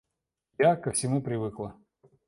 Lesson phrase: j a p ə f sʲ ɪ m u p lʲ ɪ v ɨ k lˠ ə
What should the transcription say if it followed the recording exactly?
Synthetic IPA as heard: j a k ə f sʲ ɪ m u p ɾʲ ɪ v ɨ k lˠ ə